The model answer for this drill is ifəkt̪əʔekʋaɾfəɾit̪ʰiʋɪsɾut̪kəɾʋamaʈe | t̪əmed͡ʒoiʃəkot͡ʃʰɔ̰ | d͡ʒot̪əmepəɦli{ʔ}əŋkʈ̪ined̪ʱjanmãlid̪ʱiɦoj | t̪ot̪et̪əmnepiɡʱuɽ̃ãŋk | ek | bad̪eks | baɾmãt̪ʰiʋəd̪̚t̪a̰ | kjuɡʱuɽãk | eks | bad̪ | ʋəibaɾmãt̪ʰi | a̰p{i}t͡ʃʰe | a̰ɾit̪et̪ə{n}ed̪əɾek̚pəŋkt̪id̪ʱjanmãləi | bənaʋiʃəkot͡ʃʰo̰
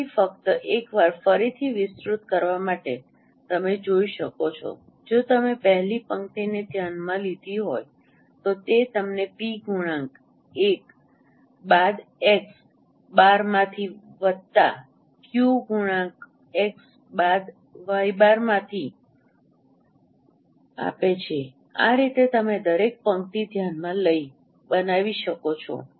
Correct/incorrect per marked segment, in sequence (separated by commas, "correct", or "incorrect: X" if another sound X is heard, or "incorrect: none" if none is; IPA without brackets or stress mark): incorrect: p, incorrect: e, incorrect: m